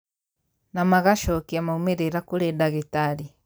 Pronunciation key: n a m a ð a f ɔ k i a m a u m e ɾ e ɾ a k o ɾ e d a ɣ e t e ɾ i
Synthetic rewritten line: n a m a ɣ a ʃ ɔ k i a m a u m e ɾ e ɾ a k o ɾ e d a ɣ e t a ɾ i